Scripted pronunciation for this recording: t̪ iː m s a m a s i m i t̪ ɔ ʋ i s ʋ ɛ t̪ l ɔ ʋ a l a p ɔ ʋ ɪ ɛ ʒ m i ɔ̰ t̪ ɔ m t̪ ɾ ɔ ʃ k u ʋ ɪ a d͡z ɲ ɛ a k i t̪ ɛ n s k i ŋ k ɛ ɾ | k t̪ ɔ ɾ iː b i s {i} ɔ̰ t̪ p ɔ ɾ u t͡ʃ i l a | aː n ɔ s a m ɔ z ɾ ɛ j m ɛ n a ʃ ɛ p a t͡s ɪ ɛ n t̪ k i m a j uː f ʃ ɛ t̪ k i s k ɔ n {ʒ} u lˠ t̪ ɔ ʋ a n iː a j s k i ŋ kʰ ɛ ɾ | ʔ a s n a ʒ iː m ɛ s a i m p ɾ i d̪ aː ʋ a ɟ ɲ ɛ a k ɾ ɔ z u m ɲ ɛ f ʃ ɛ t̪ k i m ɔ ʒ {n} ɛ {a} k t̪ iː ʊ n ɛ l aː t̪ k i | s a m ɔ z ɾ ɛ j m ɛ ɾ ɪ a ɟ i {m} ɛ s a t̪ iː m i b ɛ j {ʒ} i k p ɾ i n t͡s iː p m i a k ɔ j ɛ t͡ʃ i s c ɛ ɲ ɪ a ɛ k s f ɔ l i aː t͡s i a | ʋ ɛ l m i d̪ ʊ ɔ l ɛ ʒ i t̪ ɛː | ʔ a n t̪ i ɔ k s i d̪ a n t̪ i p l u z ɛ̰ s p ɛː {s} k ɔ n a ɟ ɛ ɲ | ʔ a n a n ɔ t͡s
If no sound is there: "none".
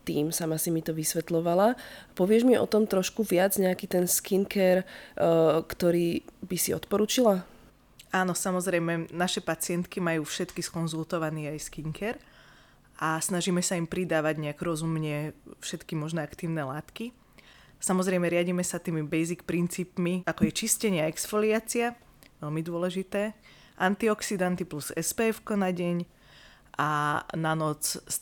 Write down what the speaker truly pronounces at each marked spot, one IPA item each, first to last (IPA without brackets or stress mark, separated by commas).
i, z, n, a, m, z, f